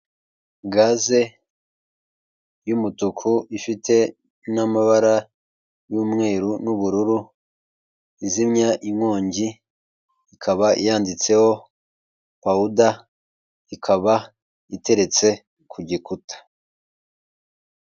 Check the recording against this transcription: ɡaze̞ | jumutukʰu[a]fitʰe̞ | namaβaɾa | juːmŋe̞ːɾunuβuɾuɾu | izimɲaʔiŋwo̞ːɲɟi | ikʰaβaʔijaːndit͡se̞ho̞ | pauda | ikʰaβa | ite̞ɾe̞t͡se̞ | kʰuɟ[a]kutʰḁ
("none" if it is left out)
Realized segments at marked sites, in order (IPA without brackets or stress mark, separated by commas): i, i